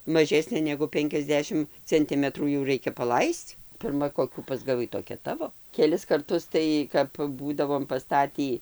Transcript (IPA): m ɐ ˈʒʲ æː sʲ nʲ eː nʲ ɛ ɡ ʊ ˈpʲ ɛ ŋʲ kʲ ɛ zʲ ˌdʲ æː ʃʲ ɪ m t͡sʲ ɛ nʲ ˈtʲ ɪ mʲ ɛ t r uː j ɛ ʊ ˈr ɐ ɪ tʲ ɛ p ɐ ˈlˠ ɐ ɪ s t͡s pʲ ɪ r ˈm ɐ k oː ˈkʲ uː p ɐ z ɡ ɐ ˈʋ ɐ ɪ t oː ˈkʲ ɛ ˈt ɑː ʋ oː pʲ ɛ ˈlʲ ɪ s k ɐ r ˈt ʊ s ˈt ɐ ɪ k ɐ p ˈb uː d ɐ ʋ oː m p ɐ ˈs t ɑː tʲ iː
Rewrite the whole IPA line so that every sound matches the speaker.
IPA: m ɐ ˈʒʲ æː sʲ nʲ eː nʲ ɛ ɡ ʊ ˈpʲ ɛ ŋʲ kʲ ɛ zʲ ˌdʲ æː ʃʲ ɪ m t͡sʲ ɛ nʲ ˈtʲ ɪ mʲ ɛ t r uː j ɛ ʊ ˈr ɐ ɪ kʲ ɛ p ɐ ˈlˠ ɐ ɪ s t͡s pʲ ɪ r ˈm ɐ k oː ˈkʲ uː p ɐ z ɡ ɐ ˈʋ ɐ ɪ t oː ˈkʲ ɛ ˈt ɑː ʋ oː kʲ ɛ ˈlʲ ɪ s k ɐ r ˈt ʊ s ˈt ɐ ɪ k ɐ p ˈb uː d ɐ ʋ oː m p ɐ ˈs t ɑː tʲ iː